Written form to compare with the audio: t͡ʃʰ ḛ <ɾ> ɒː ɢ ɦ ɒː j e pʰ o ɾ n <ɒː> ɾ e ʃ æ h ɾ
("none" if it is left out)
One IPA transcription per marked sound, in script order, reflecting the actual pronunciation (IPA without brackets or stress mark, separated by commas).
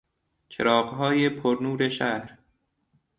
ɾ, uː